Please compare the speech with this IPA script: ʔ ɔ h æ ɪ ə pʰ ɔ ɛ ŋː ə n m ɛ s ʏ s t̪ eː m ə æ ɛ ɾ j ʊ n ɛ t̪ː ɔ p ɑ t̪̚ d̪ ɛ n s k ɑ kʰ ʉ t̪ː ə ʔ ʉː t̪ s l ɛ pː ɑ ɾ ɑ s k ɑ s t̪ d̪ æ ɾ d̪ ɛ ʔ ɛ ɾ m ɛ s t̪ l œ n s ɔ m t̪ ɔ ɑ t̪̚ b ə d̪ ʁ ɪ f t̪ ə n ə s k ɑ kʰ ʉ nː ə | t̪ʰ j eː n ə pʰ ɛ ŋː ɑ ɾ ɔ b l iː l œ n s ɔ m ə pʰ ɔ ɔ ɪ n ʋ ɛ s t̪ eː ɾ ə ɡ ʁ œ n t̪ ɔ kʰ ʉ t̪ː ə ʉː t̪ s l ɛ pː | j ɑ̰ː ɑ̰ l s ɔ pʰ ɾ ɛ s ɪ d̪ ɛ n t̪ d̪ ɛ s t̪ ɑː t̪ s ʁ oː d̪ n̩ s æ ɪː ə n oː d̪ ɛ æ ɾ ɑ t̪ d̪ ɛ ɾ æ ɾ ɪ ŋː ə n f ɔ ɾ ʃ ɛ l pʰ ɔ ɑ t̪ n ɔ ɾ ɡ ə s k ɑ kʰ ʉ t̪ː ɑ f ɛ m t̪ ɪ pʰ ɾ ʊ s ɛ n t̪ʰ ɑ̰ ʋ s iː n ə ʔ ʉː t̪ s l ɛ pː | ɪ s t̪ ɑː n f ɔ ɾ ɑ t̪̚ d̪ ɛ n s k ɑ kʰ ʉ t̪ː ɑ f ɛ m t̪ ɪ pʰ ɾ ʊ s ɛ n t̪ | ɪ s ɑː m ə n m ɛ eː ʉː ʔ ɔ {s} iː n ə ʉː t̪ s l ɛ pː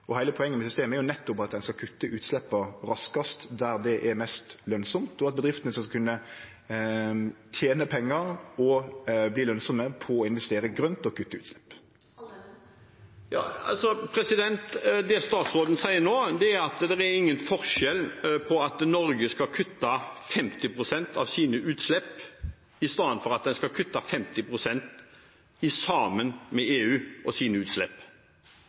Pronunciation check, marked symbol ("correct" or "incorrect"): correct